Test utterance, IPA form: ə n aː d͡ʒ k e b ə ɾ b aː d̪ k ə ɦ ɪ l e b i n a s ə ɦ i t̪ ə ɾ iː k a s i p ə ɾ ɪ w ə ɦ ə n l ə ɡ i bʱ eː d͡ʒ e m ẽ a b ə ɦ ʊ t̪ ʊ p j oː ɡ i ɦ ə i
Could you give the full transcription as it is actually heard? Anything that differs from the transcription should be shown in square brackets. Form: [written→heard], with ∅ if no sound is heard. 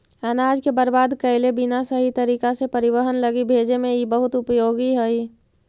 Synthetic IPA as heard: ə n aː d͡ʒ k e b ə ɾ b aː d̪ k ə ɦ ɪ l e b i n a s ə ɦ i t̪ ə ɾ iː k a s [i→e] p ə ɾ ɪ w ə ɦ ə n l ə ɡ i bʱ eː d͡ʒ e m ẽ [a→i] b ə ɦ ʊ t̪ ʊ p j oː ɡ i ɦ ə i